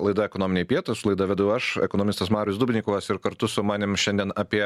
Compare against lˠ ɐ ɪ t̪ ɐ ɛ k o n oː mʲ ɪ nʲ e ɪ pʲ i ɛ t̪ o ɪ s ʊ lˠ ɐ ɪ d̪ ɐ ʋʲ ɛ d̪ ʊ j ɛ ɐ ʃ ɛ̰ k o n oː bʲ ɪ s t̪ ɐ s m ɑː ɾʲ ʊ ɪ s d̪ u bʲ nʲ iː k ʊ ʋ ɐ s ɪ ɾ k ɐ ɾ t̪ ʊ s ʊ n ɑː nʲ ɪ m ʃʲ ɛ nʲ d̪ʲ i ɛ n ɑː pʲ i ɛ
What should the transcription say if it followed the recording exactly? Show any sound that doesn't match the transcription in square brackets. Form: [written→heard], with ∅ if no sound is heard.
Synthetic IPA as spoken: lˠ ɐ ɪ [t̪→d̪] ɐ ɛ k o n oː mʲ ɪ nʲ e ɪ pʲ i ɛ t̪ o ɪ s ʊ lˠ ɐ ɪ d̪ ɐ ʋʲ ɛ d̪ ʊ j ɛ ɐ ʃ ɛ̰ k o n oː [bʲ→mʲ] ɪ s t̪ ɐ s m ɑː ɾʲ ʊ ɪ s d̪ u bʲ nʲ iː k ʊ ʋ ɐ s ɪ ɾ k ɐ ɾ t̪ ʊ s ʊ [n→m] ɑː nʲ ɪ m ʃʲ ɛ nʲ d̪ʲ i ɛ n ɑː pʲ i ɛ